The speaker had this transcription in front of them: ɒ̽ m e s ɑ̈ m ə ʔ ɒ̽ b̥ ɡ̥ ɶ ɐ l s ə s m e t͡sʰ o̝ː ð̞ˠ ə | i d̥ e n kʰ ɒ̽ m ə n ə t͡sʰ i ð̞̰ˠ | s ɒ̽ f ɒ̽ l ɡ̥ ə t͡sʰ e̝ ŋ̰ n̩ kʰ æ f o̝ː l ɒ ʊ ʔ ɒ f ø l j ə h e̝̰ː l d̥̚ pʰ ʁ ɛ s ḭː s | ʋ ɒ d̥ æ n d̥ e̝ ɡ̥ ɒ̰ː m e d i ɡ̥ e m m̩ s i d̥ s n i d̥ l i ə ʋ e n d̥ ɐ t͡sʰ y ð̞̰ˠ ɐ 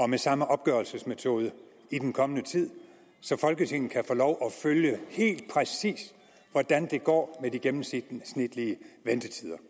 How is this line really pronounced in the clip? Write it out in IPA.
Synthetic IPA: ɒ̽ m e s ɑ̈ m ə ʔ ɒ̽ b̥ ɡ̥ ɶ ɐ l s ə s m e t͡sʰ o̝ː ð̞ˠ ə | i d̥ e n kʰ ɒ̽ m ə n ə t͡sʰ i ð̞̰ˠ | s ɒ̽ f ɒ̽ l ɡ̥ ə t͡sʰ e̝ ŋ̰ n̩ kʰ æ f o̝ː l ɒ ʊ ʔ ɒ f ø l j ə h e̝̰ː l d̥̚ pʰ ʁ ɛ s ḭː s | ʋ ɒ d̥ æ n d̥ e̝ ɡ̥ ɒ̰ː m e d i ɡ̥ e m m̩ s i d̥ s n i d̥ l i ə ʋ e n d̥ ə t͡sʰ i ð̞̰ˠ ɐ